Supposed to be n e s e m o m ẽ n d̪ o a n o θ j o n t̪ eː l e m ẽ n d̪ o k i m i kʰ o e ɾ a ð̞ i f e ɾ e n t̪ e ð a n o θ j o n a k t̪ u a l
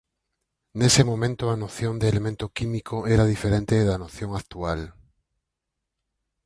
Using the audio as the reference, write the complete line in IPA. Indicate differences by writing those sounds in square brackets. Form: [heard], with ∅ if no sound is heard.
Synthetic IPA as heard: n e s e m o m ẽ n [t̪] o a n o θ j o n [d̪] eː l e m ẽ n [t̪] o k i m i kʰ o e ɾ a ð̞ i f e ɾ e n t̪ e ð a n o θ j o [ŋ] a k t̪ u a l